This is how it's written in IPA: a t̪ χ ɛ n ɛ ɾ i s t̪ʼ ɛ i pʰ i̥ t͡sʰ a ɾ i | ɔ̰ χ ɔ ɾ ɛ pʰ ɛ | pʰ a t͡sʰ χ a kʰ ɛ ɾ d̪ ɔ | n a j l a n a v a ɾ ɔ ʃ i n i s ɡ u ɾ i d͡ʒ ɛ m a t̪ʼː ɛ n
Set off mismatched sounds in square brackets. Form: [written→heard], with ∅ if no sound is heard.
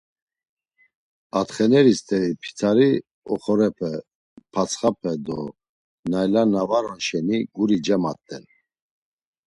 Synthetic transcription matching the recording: a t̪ χ ɛ n ɛ ɾ i s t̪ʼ ɛ i pʰ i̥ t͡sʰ a ɾ i | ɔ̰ χ ɔ ɾ ɛ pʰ ɛ | pʰ a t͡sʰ χ a [kʰ→pʰ] ɛ [ɾ→∅] d̪ ɔ | n a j l a n a v a ɾ ɔ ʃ [i→ɛ] n i [s→∅] ɡ u ɾ i d͡ʒ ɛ m a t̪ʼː ɛ n